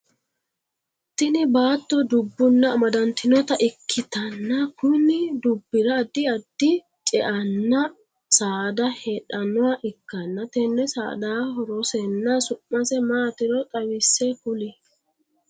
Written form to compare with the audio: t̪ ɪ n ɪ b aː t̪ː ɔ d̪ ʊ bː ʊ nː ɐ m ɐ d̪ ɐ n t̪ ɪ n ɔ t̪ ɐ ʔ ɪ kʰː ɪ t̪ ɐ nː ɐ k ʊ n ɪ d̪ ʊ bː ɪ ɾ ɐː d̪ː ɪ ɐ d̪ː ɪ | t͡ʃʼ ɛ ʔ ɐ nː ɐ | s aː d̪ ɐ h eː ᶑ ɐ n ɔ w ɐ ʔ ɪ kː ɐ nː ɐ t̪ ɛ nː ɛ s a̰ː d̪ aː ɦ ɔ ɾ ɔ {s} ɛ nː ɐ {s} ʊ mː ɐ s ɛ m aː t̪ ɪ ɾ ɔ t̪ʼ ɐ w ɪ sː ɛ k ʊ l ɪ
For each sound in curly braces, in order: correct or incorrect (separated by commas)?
correct, correct